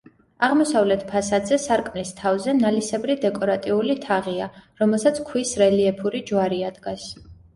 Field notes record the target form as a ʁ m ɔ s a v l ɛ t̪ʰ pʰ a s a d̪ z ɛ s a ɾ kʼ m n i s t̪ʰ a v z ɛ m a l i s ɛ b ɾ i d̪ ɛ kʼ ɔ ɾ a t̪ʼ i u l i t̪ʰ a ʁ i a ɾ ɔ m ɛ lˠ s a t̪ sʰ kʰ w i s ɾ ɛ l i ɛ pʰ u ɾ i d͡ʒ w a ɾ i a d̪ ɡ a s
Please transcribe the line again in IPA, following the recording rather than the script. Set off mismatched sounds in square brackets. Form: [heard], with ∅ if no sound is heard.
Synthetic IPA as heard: a ʁ m ɔ s a v l ɛ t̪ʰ pʰ a s a d̪ z ɛ s a ɾ kʼ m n i s t̪ʰ a v z ɛ [n] a l i s ɛ b ɾ i d̪ ɛ kʼ ɔ ɾ a t̪ʼ i u l i t̪ʰ a ʁ i a ɾ ɔ m ɛ lˠ s a t̪ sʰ kʰ w i s ɾ ɛ l i ɛ pʰ u ɾ i d͡ʒ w a ɾ i a d̪ ɡ a s